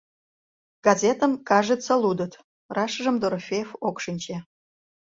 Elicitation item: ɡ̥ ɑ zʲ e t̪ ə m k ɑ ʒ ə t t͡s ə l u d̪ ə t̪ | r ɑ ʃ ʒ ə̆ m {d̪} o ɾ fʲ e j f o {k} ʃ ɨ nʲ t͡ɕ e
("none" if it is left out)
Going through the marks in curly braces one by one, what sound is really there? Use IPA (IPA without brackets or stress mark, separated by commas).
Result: d̪, k